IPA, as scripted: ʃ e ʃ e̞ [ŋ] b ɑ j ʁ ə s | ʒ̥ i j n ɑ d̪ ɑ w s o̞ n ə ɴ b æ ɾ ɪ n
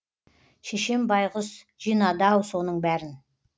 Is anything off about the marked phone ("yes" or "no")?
yes